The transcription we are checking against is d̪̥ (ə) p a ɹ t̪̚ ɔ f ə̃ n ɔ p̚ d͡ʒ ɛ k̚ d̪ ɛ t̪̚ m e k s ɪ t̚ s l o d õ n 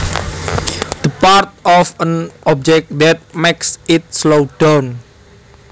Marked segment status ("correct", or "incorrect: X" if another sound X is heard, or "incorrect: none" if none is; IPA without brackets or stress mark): correct